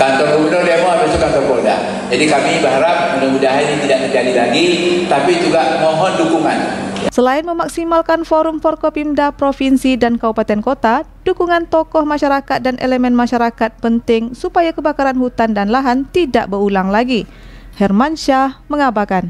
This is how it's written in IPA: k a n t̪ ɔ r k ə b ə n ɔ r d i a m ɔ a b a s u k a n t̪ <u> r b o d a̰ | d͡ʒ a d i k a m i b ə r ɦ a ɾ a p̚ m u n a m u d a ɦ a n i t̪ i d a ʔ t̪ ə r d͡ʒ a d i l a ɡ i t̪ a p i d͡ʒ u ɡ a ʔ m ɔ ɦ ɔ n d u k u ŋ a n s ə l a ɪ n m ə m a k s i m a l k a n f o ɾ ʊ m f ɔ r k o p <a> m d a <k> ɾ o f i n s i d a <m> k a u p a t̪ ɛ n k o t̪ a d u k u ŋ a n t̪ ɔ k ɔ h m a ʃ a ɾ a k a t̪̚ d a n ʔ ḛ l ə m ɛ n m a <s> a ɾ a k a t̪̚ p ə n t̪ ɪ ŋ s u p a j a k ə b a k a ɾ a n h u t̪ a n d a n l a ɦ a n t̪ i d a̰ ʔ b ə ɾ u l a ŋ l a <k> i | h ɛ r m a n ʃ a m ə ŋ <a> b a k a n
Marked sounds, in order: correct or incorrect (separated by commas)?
incorrect, incorrect, incorrect, incorrect, incorrect, incorrect, correct